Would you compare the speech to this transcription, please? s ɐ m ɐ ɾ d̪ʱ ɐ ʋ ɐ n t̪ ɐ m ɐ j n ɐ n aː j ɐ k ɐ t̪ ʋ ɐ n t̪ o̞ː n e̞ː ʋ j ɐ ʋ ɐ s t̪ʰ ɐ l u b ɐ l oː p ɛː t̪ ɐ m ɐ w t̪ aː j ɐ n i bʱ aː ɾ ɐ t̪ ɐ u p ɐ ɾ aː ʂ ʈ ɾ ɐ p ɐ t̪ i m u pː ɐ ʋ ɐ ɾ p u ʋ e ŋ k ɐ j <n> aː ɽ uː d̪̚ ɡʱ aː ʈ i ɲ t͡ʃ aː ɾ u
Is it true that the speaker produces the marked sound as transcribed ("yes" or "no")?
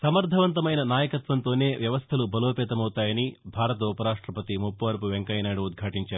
yes